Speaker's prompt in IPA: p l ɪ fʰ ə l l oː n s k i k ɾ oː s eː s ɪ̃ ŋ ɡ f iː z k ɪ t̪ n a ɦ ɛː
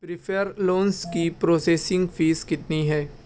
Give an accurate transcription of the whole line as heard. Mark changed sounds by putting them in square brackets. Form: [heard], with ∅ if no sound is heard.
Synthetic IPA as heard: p [ɾ] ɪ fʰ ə [ɾ] l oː n s k i [p] ɾ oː s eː s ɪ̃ ŋ ɡ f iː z k ɪ t̪ n [i] ɦ ɛː